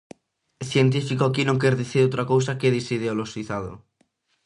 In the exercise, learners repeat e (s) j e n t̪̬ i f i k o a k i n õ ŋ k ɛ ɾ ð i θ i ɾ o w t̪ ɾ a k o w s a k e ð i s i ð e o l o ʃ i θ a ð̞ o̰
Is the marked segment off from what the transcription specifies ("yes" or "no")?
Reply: yes